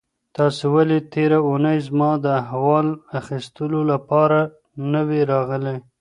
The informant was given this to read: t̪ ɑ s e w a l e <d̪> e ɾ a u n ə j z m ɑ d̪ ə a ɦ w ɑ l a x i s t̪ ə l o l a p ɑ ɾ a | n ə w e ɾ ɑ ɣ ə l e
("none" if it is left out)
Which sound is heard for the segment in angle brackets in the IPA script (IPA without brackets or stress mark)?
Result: t̪